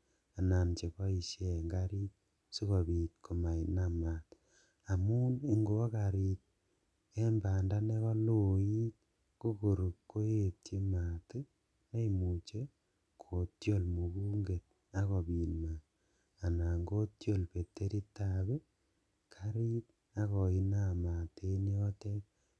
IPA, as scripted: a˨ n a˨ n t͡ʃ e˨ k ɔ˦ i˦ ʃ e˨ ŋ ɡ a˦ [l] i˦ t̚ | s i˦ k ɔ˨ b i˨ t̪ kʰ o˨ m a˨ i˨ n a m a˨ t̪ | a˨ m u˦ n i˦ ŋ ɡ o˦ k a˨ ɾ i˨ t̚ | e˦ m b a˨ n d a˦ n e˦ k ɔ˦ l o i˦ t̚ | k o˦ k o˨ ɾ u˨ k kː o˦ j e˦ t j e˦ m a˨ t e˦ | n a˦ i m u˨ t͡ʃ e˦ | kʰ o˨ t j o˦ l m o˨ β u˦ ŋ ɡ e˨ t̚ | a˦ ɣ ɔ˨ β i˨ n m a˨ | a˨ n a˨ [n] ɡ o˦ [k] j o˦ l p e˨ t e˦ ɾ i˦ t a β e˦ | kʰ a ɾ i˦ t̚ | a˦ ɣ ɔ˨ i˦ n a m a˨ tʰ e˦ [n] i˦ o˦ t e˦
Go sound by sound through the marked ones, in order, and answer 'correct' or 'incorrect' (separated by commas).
incorrect, incorrect, incorrect, correct